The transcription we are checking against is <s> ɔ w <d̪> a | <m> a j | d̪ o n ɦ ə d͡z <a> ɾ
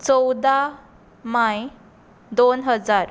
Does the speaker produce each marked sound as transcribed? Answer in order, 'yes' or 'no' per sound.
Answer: no, yes, yes, yes

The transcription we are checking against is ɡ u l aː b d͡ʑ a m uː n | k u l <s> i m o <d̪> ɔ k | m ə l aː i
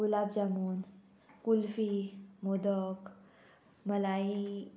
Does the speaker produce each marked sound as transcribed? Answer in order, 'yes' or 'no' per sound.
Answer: no, yes

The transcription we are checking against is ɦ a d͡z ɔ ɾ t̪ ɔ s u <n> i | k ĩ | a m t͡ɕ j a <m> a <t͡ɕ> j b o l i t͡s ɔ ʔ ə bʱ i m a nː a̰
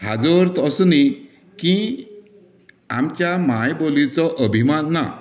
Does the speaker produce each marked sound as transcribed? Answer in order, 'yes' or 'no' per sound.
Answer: yes, yes, no

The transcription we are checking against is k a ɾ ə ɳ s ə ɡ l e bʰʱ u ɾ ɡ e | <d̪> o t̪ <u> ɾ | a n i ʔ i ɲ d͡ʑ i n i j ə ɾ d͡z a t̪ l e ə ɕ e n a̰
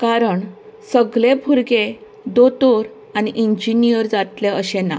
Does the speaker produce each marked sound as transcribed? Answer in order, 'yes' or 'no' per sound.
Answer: yes, no

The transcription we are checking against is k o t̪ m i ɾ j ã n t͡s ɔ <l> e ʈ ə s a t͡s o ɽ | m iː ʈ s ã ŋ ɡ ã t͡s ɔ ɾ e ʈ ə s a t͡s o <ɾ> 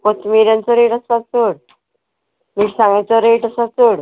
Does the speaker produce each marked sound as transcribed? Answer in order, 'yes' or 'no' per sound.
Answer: no, no

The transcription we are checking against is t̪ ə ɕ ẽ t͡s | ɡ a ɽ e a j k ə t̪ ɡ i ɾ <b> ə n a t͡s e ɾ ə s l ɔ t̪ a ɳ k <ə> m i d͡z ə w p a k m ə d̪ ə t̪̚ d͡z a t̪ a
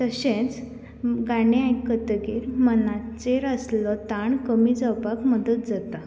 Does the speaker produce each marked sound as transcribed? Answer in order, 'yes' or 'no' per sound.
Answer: no, yes

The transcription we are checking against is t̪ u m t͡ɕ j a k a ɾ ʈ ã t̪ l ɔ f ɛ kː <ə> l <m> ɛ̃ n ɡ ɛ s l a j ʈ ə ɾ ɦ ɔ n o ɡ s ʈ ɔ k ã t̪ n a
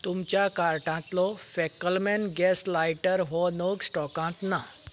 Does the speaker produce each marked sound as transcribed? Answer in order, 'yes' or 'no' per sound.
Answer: yes, yes

